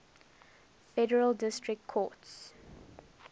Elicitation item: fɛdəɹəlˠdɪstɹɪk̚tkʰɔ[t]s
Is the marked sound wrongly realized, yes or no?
no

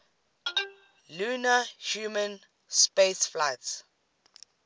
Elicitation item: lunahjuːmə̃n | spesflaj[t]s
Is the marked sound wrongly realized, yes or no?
no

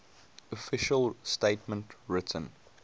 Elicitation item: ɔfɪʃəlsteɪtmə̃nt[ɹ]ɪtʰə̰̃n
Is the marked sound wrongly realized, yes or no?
no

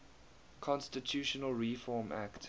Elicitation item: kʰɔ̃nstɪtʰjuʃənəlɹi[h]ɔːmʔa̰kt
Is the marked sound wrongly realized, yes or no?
yes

